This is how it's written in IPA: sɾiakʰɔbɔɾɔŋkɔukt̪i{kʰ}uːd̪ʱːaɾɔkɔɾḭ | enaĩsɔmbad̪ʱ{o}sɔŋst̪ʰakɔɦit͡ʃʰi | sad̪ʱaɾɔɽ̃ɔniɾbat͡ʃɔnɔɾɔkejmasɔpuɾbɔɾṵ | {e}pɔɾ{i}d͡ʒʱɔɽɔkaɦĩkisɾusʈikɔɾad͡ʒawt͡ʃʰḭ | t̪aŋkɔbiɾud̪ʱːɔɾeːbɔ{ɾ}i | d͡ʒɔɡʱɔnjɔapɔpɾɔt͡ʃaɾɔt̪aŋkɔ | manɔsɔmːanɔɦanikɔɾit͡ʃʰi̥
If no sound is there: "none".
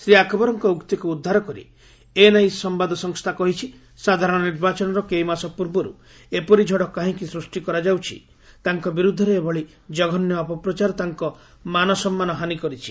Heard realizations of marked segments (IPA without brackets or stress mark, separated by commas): k, ɔ, e, i, ɭ